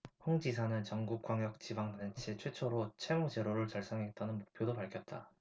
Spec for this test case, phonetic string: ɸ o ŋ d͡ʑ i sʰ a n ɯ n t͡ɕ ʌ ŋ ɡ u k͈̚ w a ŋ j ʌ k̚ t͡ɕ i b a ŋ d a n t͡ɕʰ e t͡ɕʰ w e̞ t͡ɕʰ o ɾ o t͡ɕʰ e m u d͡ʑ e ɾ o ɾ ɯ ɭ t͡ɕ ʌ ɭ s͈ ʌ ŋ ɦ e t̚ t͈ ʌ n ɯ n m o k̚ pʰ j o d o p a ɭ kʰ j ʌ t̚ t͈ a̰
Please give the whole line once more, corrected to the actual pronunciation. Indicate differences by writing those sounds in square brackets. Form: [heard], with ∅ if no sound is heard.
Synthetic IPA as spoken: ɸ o ŋ d͡ʑ i sʰ a n ɯ n t͡ɕ ʌ ŋ ɡ u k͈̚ w a ŋ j ʌ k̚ t͡ɕ i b a ŋ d a n t͡ɕʰ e t͡ɕʰ w e̞ t͡ɕʰ o ɾ o t͡ɕʰ e m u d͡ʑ e ɾ o ɾ ɯ ɭ t͡ɕ ʌ ɭ s͈ ʌ ŋ ɦ e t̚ t͈ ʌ n ɯ n m o k̚ pʰ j o d o p a ɭ kʰ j ʌ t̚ t͈ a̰